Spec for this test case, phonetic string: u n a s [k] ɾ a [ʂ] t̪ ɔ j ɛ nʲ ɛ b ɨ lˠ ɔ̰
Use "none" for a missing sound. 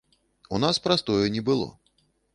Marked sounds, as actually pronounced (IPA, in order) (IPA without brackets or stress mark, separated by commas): p, s